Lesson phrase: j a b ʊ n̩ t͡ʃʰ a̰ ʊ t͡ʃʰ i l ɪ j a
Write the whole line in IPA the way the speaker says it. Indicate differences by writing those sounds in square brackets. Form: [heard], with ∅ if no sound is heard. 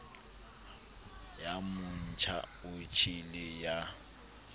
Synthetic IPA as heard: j a [m] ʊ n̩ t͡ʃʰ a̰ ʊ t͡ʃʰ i l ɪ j a

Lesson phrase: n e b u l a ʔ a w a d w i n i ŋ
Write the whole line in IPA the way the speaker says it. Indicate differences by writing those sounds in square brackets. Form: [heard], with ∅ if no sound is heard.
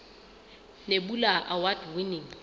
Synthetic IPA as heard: n e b u l a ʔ a w a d w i n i ŋ

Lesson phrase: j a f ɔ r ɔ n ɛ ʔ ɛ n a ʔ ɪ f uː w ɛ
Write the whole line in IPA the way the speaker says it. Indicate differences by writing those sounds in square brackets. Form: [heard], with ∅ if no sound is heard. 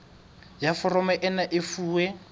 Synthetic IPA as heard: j a f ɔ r ɔ [m] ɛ ʔ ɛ n a ʔ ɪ f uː w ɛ

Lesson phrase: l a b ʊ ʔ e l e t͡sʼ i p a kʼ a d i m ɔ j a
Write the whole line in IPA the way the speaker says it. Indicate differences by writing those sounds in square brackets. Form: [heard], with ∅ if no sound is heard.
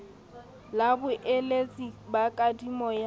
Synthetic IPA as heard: l a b ʊ ʔ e l e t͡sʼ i [b] a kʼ a d i m ɔ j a

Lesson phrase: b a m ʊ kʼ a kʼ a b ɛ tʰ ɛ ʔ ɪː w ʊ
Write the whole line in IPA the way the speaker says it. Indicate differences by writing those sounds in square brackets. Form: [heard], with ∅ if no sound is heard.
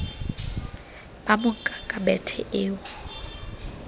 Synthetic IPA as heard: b a m ʊ kʼ a kʼ a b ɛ tʰ ɛ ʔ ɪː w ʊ

